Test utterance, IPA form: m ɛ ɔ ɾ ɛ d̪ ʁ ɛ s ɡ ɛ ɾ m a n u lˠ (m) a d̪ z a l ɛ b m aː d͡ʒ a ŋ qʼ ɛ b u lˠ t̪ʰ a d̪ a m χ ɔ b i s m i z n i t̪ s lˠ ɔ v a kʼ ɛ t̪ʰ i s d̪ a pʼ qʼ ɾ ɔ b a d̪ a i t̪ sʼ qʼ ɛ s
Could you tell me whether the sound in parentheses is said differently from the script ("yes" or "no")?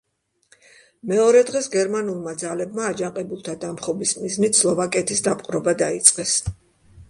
no